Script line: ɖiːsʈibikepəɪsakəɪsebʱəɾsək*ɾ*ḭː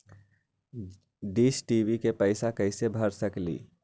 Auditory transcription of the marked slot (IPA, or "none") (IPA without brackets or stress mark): l